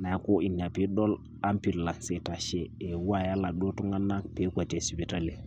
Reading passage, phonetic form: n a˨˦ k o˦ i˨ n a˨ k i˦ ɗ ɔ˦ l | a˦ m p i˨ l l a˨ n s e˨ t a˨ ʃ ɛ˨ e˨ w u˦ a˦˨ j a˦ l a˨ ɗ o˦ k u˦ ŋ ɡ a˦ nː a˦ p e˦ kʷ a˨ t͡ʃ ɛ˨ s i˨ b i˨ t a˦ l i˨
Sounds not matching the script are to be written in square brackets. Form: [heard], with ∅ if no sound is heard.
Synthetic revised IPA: n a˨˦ k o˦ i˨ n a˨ [p] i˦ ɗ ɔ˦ l | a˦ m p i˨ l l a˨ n s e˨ t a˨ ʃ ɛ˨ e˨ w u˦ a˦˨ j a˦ l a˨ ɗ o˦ [t] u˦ ŋ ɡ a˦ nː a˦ p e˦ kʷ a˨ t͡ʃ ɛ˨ s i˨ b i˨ t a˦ l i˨